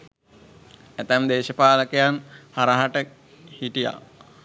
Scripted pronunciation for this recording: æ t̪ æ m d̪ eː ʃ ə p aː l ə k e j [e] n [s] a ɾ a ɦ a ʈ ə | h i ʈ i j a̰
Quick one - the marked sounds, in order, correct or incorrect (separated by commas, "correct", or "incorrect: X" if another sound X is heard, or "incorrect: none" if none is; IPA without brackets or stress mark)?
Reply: incorrect: a, incorrect: h